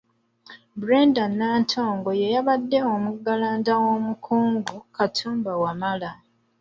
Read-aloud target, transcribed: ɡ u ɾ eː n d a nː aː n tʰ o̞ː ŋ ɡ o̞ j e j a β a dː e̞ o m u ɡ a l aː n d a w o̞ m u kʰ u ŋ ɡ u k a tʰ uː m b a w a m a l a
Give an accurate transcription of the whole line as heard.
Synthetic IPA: b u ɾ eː n d a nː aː n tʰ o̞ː ŋ ɡ o̞ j e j a β a dː e̞ o m u ɡ a l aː n d a w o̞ m u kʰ uː ŋ ɡ u k a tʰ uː m b a w a m a l a